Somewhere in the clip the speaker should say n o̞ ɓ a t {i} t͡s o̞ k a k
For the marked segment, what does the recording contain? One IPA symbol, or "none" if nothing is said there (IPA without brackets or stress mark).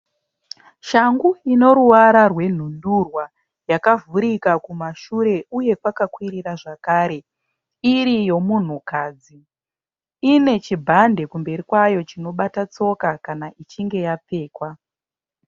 a